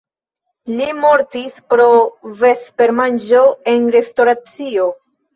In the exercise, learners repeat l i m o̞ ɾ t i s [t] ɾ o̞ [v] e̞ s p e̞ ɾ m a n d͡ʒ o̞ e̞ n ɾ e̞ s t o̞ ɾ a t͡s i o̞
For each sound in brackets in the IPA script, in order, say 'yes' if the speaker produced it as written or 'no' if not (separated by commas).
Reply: no, yes